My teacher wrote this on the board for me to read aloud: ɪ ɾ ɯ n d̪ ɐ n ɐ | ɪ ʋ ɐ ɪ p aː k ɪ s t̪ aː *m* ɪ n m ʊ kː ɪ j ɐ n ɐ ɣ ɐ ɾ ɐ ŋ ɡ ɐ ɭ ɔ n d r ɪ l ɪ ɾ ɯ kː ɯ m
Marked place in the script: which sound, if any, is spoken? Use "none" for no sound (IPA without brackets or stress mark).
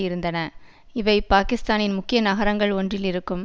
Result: n